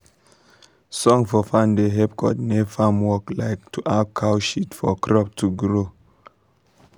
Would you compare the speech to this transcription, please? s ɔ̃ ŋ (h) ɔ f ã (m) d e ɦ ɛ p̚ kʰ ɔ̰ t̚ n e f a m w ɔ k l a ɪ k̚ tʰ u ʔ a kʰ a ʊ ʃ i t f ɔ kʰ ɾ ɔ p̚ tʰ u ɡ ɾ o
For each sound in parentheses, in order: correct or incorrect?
incorrect, incorrect

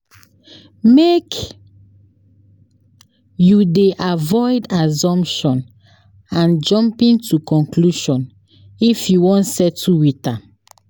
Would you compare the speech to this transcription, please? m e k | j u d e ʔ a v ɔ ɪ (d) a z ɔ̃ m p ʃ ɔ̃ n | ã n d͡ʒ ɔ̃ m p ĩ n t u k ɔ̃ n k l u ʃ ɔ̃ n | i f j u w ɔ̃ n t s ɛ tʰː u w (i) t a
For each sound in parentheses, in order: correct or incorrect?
correct, correct

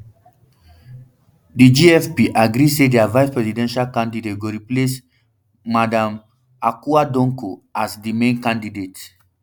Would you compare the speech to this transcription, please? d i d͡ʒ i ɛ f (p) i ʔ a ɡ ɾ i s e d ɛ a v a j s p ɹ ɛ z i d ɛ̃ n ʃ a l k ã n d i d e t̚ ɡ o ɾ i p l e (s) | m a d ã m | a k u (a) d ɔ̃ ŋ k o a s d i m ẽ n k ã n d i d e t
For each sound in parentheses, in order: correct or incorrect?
correct, correct, correct

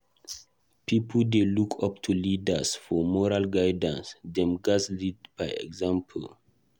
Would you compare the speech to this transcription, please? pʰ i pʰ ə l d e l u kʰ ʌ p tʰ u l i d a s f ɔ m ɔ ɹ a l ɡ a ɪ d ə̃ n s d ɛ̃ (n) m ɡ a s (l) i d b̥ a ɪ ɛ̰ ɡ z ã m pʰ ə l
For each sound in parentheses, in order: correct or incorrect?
incorrect, correct

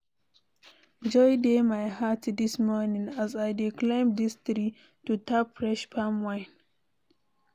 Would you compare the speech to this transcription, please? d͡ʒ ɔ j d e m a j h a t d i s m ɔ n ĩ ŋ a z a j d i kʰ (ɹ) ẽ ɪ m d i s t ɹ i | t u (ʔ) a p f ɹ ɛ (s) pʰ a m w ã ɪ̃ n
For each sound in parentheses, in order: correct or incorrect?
incorrect, incorrect, incorrect

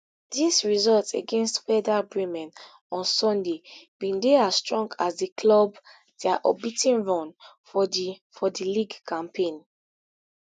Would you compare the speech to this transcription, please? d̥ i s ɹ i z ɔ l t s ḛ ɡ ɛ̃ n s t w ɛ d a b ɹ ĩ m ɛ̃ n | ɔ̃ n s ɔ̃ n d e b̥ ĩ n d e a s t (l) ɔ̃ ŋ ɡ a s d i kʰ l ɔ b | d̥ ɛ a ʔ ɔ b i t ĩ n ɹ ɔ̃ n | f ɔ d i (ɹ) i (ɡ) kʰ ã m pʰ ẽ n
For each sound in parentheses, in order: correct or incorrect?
incorrect, incorrect, correct

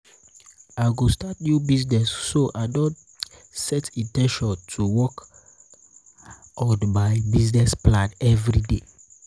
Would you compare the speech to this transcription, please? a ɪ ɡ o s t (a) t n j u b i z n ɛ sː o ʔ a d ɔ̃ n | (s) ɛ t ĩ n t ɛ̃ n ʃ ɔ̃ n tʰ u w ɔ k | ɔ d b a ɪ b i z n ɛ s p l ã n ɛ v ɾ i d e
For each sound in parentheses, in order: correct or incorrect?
correct, correct

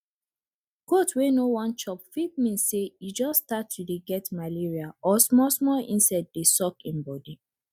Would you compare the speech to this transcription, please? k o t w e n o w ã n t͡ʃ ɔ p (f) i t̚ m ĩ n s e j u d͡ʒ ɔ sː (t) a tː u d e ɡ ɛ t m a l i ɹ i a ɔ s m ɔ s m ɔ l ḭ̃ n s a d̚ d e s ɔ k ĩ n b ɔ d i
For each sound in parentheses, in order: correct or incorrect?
correct, correct

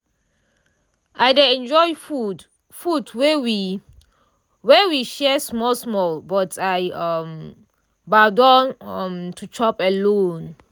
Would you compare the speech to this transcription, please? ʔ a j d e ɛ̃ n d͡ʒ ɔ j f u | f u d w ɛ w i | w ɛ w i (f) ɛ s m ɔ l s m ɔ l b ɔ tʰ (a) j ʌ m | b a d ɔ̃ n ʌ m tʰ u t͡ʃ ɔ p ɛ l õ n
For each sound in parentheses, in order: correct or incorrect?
incorrect, correct

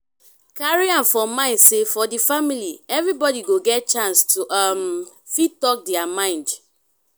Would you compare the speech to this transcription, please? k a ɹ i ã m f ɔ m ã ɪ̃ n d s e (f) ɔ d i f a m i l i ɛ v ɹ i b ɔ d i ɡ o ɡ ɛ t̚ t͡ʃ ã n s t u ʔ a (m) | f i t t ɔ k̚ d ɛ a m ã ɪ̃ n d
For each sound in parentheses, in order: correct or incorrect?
correct, correct

